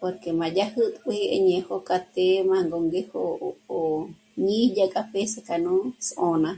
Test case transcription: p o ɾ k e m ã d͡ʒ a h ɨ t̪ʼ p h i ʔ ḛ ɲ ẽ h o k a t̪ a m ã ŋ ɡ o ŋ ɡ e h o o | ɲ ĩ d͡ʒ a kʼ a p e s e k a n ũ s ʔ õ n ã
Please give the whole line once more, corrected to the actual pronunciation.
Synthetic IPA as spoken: p o ɾ k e m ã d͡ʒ a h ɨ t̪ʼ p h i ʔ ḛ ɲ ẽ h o k a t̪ e m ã ŋ ɡ o ŋ ɡ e h o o | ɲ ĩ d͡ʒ a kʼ a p e s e k a n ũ s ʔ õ n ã